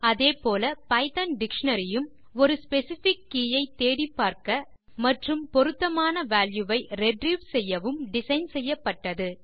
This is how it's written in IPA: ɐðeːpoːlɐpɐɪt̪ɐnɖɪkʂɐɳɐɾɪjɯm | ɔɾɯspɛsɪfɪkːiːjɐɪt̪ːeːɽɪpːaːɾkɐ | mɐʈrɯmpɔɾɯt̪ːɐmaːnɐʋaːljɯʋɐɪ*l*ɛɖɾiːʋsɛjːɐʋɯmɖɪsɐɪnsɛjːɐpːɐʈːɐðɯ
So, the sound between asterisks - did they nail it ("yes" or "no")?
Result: no